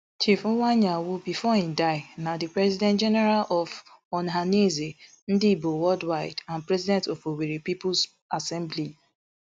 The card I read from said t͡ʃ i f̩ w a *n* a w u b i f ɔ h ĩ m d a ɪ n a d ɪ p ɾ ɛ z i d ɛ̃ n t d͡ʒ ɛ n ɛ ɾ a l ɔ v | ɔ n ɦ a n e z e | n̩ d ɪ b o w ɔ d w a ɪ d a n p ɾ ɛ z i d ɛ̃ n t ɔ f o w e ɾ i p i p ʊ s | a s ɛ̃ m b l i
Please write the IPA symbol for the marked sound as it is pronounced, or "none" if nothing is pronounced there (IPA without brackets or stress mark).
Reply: ɲ